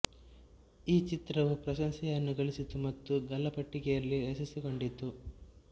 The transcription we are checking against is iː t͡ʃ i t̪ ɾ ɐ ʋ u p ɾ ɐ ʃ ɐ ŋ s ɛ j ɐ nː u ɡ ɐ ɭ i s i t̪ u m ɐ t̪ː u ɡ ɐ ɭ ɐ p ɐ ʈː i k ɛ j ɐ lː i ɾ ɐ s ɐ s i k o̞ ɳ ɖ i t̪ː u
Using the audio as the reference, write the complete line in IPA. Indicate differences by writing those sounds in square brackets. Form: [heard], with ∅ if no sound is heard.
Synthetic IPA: iː t͡ʃ i t̪ ɾ ɐ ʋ u p ɾ ɐ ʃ ɐ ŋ s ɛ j ɐ nː u ɡ ɐ ɭ i s i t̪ u m ɐ t̪ː u ɡ ɐ [l] ɐ p ɐ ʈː i k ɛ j ɐ lː i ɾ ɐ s ɐ s i k o̞ ɳ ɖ i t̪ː u